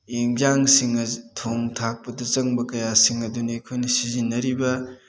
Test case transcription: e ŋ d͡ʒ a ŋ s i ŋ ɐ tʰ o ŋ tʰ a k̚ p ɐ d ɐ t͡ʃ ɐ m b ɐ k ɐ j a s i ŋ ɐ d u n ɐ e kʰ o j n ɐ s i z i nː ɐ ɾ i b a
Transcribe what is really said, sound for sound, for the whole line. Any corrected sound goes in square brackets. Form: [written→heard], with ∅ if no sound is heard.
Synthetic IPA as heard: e ŋ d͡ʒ a ŋ s i ŋ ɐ tʰ o ŋ tʰ a k̚ p ɐ d ɐ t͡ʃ ɐ [m→ŋ] b ɐ k ɐ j a s i ŋ ɐ d u n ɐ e kʰ o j n ɐ s i z i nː ɐ ɾ i b [a→ɐ]